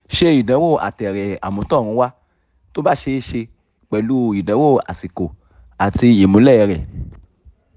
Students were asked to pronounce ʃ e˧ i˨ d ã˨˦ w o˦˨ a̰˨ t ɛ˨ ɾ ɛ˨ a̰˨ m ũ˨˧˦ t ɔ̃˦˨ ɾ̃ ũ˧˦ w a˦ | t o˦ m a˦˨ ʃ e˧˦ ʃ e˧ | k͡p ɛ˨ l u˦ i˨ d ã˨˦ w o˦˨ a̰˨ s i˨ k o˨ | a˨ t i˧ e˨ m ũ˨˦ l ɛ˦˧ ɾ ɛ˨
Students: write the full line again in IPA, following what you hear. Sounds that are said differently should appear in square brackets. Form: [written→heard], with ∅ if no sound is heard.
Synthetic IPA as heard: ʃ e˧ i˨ d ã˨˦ w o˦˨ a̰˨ t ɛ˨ ɾ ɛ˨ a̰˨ m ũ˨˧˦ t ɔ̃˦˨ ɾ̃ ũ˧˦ w a˦ | t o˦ [m→b] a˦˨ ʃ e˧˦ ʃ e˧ | k͡p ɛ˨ l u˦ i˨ d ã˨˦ w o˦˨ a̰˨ s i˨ k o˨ | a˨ t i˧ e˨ m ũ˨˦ l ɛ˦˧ ɾ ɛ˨

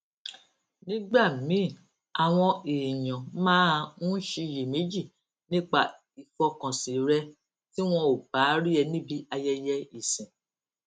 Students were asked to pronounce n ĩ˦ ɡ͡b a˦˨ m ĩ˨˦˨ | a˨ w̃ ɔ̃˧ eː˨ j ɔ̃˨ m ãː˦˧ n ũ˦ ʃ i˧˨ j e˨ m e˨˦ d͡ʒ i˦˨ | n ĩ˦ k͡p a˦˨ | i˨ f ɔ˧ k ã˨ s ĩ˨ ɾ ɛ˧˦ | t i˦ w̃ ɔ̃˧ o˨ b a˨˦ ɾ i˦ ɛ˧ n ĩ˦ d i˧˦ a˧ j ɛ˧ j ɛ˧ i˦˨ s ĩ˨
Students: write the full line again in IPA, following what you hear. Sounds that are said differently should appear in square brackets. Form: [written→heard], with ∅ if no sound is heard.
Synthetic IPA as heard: n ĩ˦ ɡ͡b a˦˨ m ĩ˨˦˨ | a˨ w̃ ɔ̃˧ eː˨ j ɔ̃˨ m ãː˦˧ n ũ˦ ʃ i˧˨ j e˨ m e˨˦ d͡ʒ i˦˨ | n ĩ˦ k͡p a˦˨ | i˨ f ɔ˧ k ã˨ s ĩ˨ ɾ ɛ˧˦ | t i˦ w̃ ɔ̃˧ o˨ b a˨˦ ɾ i˦ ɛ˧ n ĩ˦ [d→b] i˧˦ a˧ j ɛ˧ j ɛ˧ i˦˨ s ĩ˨

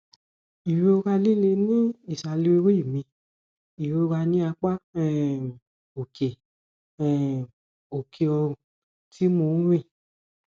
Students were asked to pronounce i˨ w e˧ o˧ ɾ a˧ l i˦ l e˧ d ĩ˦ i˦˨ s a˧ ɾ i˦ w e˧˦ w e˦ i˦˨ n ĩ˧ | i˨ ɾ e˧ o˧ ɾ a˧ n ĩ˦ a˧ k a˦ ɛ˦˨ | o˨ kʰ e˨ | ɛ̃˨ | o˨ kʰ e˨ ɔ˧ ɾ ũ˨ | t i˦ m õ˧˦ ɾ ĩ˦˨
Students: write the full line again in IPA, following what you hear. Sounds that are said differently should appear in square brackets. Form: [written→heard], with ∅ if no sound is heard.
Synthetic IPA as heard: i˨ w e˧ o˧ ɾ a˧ l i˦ l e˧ [d→n] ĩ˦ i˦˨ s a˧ [ɾ→l] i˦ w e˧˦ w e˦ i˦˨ [n→m] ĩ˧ | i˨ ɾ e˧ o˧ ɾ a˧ n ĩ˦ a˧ [k→k͡p] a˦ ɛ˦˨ | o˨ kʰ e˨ | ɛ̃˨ | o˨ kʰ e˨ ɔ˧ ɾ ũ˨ | t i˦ m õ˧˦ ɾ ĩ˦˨

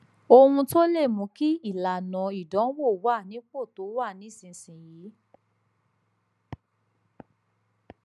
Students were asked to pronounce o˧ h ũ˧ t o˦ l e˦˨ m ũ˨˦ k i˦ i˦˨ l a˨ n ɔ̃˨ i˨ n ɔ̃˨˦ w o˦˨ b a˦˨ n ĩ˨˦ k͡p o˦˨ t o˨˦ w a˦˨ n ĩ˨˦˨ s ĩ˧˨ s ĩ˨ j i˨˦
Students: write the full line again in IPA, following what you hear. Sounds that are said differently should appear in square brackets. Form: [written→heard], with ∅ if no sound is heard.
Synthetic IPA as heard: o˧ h ũ˧ t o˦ l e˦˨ m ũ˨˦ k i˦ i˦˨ l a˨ n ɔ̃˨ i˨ [n→d] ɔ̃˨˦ w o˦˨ [b→w] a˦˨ n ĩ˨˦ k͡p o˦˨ t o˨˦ w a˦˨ n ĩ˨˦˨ s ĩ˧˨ s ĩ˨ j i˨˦

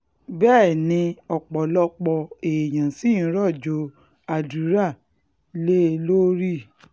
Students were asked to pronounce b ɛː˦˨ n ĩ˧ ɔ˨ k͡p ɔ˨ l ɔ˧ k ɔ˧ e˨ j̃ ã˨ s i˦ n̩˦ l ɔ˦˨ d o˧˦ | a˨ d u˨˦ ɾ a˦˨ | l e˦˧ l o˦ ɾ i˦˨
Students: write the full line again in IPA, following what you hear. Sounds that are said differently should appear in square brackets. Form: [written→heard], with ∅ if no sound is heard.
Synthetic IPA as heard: b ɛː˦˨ n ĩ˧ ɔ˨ k͡p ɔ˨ l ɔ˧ [k→k͡p] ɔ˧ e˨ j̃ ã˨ s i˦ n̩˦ [l→ɾ] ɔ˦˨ [d→d͡ʒ] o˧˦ | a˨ d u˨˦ ɾ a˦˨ | l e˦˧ l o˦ ɾ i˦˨

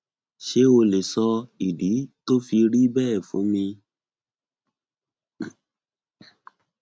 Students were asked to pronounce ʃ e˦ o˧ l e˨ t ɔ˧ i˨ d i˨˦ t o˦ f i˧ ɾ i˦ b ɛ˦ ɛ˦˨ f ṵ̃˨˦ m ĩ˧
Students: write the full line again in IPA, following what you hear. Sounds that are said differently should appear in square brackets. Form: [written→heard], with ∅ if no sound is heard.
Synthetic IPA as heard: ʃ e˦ o˧ l e˨ [t→s] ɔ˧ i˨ d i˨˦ t o˦ f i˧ ɾ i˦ b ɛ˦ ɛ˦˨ f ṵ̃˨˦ m ĩ˧

